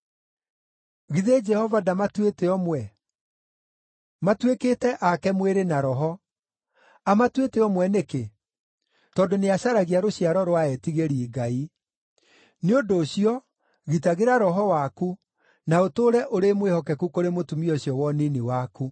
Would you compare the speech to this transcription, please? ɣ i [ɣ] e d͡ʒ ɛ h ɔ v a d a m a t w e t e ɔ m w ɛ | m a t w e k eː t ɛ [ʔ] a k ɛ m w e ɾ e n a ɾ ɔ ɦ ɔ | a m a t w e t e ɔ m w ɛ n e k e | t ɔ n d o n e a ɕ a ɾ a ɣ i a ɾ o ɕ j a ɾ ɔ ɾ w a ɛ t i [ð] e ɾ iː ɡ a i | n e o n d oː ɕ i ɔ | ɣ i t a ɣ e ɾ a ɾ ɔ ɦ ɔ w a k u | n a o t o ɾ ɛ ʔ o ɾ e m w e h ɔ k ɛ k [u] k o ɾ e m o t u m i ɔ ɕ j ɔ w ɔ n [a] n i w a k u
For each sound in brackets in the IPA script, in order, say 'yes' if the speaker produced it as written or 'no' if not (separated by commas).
no, yes, no, yes, no